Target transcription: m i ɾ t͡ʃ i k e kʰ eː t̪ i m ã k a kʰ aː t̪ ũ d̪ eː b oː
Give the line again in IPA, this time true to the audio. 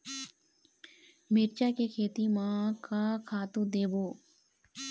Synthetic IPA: m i ɾ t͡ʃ a k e kʰ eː t̪ i m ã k a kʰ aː t̪ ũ d̪ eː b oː